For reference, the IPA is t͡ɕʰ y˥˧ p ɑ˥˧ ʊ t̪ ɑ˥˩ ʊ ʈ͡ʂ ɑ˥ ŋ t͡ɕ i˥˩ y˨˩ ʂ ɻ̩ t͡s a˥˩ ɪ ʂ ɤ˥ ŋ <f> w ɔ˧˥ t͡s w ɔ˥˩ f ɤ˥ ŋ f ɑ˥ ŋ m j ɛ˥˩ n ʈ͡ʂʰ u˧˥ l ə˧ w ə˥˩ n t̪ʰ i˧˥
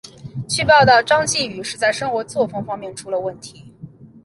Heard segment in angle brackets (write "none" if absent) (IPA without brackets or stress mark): x